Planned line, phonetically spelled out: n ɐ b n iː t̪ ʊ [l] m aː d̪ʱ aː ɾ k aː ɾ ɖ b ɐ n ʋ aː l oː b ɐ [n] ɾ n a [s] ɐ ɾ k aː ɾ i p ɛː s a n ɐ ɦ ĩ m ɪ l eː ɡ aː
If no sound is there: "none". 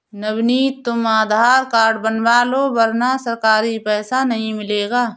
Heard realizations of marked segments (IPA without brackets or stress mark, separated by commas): none, none, s